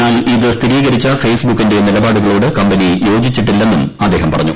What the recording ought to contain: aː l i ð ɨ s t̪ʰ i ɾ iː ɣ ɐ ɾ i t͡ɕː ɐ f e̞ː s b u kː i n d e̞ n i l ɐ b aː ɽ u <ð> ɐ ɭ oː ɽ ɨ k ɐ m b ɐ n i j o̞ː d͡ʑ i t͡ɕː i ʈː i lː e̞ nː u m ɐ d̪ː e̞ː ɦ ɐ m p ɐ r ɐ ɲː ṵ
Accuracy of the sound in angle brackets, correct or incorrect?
incorrect